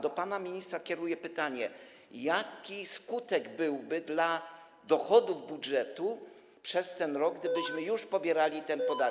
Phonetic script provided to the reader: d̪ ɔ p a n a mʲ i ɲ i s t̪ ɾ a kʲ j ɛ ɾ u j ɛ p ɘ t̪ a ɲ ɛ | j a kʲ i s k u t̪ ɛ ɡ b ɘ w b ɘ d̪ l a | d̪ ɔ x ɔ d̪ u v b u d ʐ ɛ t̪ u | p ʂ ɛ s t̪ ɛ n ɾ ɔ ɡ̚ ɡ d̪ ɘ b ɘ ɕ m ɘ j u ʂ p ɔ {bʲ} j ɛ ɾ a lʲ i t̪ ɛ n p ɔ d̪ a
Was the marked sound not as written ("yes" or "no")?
no